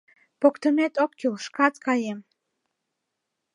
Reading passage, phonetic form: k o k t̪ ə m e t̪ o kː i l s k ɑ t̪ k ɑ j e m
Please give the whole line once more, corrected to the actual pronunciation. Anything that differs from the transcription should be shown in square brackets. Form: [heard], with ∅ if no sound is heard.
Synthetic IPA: [p] o k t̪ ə m e t̪ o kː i l [ʃ] k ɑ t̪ k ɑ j e m